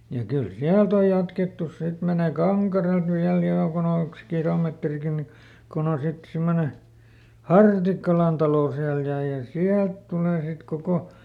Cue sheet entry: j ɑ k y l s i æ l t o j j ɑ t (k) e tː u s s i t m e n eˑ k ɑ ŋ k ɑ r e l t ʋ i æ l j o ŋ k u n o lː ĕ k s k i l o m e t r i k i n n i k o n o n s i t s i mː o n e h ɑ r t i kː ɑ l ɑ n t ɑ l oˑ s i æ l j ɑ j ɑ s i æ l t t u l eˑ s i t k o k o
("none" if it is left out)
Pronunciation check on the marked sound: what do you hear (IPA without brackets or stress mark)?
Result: k